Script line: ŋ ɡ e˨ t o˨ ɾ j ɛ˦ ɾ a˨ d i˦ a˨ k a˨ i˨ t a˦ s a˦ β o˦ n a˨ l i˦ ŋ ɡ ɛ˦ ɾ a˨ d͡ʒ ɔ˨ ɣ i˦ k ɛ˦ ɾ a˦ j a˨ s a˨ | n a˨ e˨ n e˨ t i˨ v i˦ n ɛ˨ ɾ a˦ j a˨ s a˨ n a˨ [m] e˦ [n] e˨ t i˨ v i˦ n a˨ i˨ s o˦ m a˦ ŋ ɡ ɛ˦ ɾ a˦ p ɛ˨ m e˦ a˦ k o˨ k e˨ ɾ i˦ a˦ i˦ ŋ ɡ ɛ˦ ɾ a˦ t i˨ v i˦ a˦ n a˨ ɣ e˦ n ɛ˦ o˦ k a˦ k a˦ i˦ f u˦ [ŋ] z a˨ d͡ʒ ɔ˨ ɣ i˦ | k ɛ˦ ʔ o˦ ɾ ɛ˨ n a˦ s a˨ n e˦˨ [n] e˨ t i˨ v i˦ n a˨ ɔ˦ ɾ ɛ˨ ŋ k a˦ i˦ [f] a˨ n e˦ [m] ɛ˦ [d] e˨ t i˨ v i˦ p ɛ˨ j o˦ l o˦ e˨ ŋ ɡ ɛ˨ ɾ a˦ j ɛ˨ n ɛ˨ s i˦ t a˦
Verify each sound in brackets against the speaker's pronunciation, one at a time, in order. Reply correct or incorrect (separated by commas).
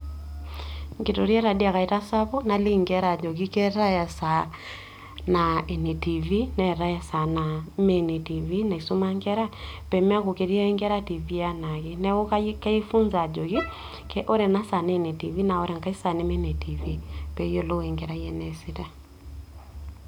correct, correct, incorrect, correct, incorrect, correct, incorrect